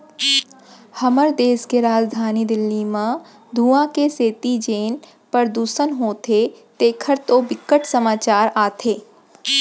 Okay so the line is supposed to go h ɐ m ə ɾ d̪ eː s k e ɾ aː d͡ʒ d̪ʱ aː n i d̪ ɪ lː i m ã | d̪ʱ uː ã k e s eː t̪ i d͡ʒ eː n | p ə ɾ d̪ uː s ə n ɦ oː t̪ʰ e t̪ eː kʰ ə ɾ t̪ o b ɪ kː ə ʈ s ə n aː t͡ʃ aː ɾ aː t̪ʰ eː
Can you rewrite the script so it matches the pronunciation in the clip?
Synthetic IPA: h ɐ m ə ɾ d̪ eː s k e ɾ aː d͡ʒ d̪ʱ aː n i d̪ ɪ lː i m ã | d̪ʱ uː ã k e s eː t̪ i d͡ʒ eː n | p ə ɾ d̪ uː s ə n ɦ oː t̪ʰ e t̪ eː kʰ ə ɾ t̪ o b ɪ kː ə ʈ s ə m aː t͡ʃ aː ɾ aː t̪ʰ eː